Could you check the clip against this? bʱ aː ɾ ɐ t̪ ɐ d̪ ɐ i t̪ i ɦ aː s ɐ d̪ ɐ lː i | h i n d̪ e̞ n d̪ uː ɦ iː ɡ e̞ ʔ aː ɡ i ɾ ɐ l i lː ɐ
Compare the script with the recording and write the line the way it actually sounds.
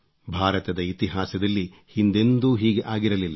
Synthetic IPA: bʱ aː ɾ ɐ t̪ ɐ d̪ ɐ i t̪ i ɦ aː s ɐ d̪ ɐ lː i | h i n d̪ e̞ n d̪ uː ɦ iː ɡ e̞ ʔ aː ɡ i ɾ ɐ l i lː ɐ